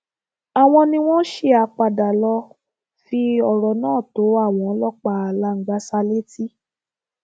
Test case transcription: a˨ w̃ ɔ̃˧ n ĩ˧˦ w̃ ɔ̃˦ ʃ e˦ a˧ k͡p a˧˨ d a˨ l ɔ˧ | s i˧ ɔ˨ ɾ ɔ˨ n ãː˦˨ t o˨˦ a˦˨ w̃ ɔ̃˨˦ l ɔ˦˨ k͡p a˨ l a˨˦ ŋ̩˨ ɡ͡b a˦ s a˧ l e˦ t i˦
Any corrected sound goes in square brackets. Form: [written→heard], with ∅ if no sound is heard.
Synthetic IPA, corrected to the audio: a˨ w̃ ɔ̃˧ n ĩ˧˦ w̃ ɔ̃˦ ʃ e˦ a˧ k͡p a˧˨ d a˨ l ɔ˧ | [s→f] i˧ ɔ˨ ɾ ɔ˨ n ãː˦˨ t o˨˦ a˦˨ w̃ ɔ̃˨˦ l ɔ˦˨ k͡p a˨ l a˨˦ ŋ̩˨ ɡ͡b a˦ s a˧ l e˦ t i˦